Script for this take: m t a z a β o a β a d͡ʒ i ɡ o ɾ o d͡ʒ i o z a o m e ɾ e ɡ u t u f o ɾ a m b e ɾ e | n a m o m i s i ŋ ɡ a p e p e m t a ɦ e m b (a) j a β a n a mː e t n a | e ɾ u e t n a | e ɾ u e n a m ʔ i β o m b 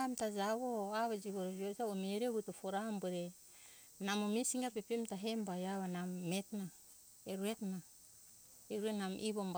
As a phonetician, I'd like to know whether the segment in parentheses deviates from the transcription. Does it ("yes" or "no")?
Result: no